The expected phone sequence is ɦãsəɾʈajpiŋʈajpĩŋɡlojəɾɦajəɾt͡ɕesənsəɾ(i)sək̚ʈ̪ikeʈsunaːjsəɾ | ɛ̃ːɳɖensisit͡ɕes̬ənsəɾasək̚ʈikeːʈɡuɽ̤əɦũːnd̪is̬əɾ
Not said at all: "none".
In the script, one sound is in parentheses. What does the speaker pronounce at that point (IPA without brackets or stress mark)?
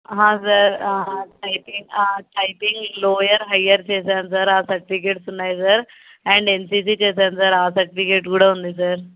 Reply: a